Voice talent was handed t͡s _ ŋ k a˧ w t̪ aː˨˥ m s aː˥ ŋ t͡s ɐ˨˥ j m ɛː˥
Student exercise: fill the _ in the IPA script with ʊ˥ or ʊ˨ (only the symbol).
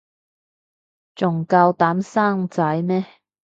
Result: ʊ˨